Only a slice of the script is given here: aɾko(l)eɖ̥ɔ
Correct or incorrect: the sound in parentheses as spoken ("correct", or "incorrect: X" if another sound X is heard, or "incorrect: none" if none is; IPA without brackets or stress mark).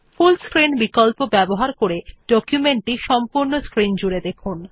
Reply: incorrect: ɾ